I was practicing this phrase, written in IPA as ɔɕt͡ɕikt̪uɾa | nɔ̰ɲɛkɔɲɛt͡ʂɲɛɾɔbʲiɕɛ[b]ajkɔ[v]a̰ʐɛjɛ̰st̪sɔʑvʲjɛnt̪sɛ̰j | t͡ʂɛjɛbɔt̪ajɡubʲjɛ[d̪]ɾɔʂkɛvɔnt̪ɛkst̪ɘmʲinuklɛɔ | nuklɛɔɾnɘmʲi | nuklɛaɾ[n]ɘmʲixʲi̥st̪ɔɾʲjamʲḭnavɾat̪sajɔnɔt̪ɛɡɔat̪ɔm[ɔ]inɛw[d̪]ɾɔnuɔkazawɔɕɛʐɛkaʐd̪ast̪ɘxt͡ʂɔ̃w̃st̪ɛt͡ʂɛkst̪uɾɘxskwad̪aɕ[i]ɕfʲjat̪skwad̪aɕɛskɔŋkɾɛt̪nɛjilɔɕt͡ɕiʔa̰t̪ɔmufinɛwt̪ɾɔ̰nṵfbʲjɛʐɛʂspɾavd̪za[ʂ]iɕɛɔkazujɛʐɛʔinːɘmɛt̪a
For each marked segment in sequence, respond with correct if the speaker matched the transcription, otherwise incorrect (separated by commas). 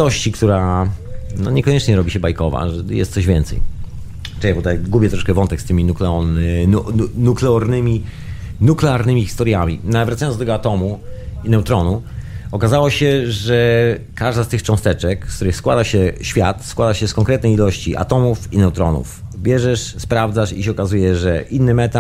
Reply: correct, correct, incorrect, correct, incorrect, incorrect, incorrect, correct